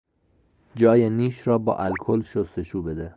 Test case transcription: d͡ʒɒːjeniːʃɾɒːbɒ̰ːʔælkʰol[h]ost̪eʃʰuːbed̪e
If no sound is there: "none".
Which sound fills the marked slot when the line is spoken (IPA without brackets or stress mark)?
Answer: ʃ